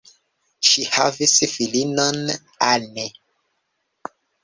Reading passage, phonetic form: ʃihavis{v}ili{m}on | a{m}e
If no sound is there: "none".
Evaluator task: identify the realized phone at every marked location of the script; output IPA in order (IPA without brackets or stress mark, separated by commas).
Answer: f, n, n